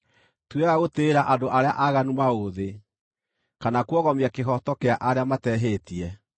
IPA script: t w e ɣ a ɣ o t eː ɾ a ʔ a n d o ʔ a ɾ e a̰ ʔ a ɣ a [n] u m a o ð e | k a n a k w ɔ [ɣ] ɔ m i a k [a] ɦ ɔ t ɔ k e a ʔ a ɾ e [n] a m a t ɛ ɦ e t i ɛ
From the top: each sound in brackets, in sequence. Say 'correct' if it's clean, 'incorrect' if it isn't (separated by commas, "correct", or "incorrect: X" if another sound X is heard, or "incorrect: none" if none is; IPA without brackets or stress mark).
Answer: correct, correct, incorrect: e, incorrect: none